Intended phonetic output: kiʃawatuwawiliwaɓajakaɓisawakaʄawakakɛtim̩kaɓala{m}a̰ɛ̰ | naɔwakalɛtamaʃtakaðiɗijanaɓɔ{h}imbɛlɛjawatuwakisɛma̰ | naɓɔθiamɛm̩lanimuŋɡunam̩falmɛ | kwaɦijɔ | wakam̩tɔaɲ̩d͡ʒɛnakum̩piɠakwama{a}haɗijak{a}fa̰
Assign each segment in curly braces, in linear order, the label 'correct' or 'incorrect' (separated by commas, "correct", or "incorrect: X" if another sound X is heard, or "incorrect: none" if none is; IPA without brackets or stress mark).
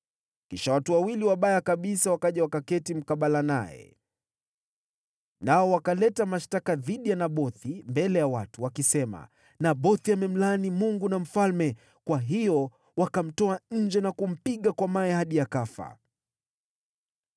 incorrect: n, incorrect: θ, incorrect: ɛ, correct